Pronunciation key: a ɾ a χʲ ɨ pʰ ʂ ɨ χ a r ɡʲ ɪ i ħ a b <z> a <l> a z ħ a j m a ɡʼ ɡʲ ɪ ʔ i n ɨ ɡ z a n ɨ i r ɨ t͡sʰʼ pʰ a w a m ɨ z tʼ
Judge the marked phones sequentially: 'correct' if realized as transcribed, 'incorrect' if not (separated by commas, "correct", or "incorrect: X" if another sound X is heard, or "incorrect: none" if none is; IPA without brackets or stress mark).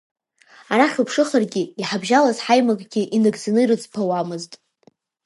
incorrect: ʒ, correct